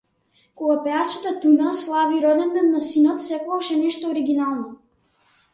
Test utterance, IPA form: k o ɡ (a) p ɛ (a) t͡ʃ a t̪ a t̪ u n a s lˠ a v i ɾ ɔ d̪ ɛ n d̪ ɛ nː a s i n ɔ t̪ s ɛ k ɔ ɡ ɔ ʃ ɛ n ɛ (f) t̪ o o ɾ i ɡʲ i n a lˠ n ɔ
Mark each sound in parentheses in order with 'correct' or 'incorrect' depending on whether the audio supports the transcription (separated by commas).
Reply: correct, correct, incorrect